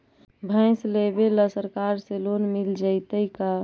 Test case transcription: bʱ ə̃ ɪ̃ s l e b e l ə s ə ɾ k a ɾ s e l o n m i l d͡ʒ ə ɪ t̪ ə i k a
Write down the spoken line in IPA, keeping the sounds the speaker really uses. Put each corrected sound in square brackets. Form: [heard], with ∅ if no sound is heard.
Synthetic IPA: bʱ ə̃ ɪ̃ s l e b e l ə s ə ɾ k a ɾ s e l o n m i l d͡ʒ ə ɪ t̪ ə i k a